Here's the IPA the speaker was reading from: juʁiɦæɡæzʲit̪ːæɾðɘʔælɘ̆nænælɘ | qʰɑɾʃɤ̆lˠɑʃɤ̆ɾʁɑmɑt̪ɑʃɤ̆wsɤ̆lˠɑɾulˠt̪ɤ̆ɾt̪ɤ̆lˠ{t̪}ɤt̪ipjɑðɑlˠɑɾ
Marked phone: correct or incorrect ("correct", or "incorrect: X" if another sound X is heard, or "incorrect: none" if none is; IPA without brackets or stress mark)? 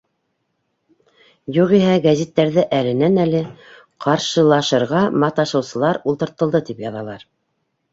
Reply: incorrect: d̪